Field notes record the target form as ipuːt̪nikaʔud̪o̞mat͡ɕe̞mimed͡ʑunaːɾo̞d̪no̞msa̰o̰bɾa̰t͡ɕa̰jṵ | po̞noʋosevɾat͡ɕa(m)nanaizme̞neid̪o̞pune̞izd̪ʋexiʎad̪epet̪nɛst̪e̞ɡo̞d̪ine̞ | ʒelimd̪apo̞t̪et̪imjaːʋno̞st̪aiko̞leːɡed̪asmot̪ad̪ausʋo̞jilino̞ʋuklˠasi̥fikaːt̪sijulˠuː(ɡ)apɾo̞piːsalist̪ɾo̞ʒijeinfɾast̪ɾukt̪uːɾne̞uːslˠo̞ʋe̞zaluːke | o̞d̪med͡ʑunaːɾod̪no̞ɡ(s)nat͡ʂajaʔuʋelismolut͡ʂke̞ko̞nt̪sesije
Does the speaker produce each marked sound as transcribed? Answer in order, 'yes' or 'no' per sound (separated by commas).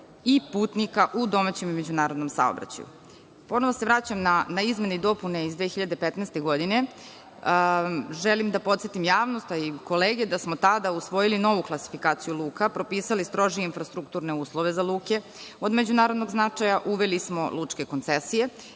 yes, no, no